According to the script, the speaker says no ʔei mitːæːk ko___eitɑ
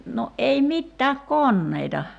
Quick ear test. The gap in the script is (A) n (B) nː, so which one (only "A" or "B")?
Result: B